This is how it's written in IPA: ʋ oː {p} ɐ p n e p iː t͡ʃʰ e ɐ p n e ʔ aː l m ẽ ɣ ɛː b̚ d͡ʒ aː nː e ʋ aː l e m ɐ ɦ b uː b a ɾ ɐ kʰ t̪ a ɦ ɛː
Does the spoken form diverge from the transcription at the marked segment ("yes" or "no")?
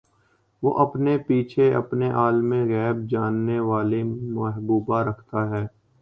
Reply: yes